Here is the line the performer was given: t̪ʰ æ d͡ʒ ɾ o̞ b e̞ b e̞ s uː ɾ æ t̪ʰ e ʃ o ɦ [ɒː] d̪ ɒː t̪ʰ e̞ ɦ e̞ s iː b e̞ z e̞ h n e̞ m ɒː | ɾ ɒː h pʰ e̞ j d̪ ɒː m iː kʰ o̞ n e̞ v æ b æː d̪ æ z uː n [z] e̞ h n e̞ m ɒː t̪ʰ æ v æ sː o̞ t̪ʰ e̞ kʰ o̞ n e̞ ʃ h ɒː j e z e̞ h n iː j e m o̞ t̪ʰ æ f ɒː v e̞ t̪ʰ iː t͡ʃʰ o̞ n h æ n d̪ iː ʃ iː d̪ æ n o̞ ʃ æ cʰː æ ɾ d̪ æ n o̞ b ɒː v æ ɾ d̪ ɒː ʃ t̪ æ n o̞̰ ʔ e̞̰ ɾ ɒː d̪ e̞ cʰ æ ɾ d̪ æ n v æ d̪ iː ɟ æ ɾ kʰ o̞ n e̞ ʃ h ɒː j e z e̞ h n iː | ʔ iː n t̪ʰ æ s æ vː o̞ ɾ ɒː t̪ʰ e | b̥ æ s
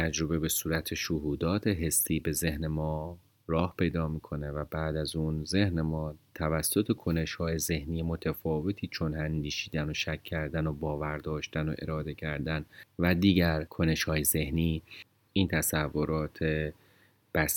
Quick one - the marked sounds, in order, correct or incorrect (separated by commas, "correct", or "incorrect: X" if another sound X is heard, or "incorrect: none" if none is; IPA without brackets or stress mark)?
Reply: incorrect: uː, correct